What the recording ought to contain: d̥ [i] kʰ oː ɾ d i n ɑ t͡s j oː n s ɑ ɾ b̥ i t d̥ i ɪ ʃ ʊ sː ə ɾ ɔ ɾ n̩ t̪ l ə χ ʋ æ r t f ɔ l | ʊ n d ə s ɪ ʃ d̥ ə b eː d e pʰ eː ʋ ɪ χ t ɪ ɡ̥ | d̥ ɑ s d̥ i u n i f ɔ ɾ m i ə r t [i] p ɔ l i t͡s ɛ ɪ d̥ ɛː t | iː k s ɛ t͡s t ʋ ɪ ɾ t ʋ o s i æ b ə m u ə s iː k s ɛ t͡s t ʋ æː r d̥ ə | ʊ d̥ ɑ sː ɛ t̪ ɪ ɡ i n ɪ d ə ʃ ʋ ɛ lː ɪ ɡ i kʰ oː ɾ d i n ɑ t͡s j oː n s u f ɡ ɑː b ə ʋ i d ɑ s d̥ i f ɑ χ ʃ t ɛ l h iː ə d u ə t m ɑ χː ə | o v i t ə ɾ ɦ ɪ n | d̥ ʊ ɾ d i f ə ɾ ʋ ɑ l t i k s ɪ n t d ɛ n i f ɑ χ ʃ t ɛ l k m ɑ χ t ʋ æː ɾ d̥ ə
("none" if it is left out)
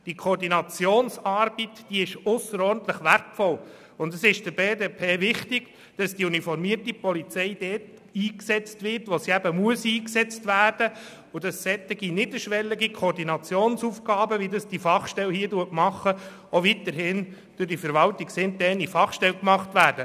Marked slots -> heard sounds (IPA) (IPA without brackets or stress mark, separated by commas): i, i